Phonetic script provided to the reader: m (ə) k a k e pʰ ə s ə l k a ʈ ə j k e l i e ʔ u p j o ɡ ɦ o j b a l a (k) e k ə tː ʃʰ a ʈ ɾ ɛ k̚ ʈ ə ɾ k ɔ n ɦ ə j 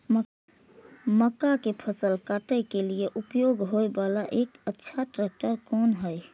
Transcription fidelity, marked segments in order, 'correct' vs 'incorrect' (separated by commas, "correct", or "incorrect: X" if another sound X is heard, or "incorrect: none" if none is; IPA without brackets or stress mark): correct, incorrect: ʔ